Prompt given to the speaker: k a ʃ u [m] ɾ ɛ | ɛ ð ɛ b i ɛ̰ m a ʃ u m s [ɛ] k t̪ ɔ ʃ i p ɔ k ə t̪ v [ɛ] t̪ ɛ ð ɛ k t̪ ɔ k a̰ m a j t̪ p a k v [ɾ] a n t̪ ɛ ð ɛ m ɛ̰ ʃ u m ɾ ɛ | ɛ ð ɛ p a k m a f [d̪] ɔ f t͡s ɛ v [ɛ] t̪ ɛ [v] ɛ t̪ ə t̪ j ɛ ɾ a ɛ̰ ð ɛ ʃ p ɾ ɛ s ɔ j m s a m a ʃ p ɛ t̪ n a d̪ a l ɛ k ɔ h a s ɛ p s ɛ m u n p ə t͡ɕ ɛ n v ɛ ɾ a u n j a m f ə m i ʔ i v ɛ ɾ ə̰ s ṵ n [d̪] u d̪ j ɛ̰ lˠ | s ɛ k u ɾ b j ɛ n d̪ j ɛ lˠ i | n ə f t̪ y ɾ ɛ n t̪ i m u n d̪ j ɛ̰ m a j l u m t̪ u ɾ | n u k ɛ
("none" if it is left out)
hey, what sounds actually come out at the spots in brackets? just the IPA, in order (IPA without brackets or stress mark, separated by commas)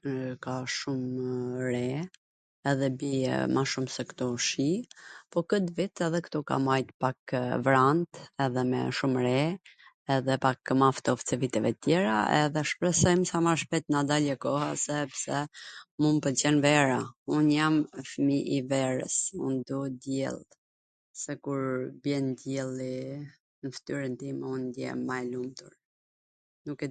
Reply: m, ɛ, i, ɾ, t̪, i, v, d̪